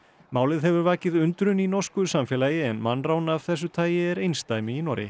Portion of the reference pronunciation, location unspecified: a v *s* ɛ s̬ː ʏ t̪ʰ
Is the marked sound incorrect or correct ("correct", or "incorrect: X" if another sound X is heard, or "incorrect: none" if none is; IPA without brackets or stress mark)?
incorrect: θ